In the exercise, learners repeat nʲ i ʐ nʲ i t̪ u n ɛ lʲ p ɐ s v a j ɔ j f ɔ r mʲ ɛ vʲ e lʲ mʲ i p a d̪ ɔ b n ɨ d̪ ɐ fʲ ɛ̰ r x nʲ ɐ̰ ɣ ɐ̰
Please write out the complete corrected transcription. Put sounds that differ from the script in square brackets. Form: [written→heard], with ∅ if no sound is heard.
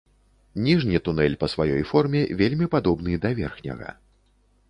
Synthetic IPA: nʲ i ʐ nʲ i t̪ u n ɛ lʲ p ɐ s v a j ɔ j f ɔ r mʲ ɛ vʲ e lʲ mʲ i p a d̪ ɔ b n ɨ d̪ ɐ [fʲ→vʲ] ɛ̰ r x nʲ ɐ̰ ɣ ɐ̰